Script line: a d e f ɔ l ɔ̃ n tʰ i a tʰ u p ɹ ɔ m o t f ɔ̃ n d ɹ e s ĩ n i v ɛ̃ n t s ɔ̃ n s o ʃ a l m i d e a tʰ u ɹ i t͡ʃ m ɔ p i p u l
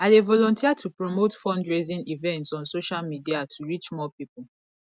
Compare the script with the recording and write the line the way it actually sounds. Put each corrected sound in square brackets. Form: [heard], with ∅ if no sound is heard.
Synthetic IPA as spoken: a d e [v] ɔ l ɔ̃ n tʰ i a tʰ u p ɹ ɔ m o t f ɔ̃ n d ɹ e [z] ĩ n i v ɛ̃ n t s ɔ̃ n s o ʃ a l m i d [i] a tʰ u ɹ i t͡ʃ m ɔ p i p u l